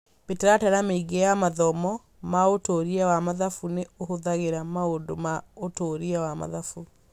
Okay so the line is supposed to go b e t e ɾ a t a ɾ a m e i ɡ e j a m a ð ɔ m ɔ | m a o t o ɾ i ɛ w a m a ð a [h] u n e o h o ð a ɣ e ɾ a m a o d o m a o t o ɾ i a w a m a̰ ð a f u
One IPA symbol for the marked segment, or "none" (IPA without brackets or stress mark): f